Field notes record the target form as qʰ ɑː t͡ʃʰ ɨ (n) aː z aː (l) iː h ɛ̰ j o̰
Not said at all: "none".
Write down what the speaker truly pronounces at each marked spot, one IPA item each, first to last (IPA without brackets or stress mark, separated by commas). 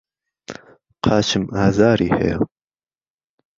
m, ɾ